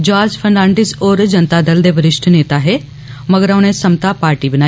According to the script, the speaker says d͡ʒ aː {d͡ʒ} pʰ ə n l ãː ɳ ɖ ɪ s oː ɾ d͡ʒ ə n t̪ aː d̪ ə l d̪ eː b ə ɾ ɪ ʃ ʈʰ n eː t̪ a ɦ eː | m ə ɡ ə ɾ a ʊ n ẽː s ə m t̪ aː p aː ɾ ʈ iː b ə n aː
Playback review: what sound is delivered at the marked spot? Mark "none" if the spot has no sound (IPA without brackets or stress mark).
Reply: d͡ʒ